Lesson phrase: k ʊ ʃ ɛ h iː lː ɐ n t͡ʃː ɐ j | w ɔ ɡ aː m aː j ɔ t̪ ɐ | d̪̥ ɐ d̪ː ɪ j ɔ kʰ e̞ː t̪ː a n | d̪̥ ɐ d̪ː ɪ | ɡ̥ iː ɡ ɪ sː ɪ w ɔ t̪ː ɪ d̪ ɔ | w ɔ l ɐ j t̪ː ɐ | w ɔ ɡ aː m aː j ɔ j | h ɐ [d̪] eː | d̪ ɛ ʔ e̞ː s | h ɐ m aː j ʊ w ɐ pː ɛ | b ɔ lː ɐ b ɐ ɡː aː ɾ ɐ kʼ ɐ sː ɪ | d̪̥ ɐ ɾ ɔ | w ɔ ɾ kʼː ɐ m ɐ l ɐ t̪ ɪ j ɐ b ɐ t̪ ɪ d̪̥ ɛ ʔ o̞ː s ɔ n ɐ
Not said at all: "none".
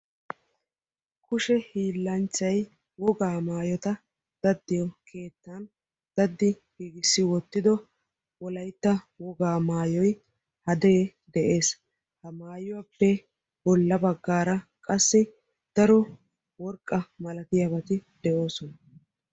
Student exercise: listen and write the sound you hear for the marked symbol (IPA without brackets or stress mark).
d̪